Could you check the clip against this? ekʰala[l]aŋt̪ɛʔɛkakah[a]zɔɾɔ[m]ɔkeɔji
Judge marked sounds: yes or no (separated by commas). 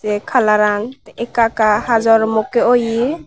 no, yes, yes